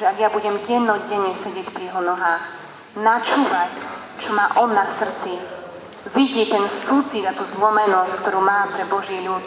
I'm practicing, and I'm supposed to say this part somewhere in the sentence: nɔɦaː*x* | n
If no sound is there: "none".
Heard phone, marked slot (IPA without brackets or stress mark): x